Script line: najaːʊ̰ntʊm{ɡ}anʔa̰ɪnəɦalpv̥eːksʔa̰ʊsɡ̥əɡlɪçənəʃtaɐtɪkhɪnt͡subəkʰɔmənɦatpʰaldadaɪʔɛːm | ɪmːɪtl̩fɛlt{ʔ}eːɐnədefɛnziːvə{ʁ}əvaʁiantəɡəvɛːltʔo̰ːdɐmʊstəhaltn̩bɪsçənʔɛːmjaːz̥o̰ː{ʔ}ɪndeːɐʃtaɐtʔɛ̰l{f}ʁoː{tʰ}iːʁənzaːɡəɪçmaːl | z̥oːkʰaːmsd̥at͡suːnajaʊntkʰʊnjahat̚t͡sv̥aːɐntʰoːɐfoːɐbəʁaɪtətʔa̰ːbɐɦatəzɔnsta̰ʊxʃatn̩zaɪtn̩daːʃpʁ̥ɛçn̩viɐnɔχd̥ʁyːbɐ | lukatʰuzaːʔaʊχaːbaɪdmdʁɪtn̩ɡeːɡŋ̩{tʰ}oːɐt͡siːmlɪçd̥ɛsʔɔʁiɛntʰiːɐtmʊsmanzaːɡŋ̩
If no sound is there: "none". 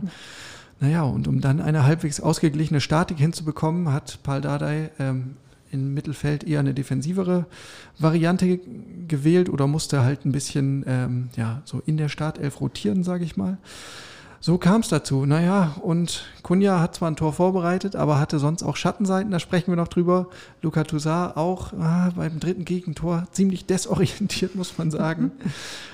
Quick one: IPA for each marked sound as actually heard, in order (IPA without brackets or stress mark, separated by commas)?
d, ʔ, ʁ, ʔ, f, tʰ, tʰ